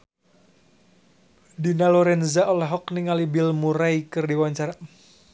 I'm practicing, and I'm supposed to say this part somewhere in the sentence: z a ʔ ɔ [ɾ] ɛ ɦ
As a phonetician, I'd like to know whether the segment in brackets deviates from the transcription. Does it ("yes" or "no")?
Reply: yes